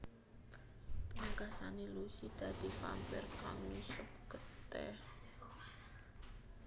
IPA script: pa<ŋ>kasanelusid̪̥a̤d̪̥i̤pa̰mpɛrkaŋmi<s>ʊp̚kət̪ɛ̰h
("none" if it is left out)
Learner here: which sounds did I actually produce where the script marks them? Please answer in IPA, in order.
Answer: ŋ, s

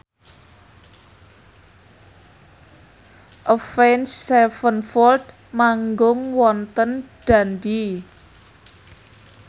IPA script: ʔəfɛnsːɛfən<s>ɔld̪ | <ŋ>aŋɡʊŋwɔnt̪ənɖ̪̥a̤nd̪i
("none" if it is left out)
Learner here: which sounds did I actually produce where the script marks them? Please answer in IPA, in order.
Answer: f, m

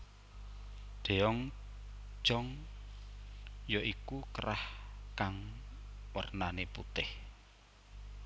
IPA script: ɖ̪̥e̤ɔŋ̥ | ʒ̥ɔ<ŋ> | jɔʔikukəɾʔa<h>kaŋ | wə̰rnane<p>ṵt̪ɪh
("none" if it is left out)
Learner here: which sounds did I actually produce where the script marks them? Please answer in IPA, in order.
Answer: ŋ, h, p

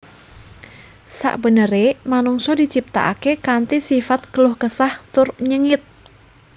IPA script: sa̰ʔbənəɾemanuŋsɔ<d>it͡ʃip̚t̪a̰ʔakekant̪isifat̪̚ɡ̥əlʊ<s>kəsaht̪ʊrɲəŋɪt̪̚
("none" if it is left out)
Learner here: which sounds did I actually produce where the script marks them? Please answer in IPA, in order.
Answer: d, h

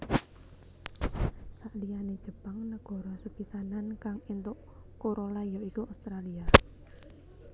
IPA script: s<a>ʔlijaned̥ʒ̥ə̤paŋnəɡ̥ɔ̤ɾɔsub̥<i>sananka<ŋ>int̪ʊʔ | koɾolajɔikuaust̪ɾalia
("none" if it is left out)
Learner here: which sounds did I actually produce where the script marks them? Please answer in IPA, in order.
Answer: a, i, ŋ

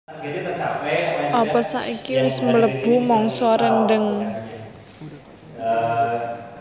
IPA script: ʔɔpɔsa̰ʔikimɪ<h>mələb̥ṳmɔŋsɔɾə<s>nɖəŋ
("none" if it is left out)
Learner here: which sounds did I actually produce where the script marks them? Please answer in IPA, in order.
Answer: s, none

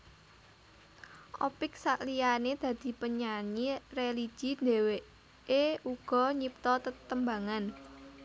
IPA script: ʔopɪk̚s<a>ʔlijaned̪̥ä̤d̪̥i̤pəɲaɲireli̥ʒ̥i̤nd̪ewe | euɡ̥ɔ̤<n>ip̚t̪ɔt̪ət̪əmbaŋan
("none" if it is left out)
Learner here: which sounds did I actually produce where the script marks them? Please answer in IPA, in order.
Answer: a, ɲ

